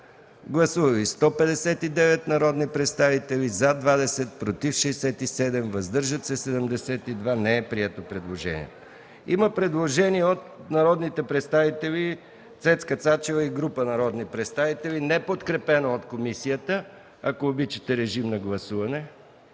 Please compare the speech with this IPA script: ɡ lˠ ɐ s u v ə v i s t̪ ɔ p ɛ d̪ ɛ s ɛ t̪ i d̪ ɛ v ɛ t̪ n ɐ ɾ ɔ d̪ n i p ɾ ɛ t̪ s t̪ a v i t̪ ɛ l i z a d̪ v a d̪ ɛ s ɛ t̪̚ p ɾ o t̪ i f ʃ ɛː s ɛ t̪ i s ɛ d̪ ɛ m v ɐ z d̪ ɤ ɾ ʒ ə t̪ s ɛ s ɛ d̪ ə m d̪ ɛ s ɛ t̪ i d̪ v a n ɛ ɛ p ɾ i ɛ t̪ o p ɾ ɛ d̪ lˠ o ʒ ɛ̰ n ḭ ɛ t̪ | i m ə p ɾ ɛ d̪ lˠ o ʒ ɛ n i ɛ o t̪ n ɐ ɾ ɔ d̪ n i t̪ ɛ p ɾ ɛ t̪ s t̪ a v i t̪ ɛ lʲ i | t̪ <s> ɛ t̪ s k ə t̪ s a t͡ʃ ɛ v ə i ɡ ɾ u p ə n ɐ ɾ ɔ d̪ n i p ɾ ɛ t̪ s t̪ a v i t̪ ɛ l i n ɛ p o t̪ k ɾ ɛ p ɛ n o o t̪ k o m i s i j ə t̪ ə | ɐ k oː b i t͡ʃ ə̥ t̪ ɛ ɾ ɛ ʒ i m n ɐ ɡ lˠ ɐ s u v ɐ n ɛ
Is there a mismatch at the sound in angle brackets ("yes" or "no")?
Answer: no